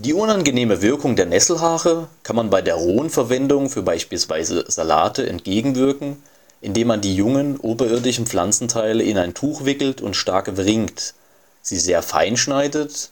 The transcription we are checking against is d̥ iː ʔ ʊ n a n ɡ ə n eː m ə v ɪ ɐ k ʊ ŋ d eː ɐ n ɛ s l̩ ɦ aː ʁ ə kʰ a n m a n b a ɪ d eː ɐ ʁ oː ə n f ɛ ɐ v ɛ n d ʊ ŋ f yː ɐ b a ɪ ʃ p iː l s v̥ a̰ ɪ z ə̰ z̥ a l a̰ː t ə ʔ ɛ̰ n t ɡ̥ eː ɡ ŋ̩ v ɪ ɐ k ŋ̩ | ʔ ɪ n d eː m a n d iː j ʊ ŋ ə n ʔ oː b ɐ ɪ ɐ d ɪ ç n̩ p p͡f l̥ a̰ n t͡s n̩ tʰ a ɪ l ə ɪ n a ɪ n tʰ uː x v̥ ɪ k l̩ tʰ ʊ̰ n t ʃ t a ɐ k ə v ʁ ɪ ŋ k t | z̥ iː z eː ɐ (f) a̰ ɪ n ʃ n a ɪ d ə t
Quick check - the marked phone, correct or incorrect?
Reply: correct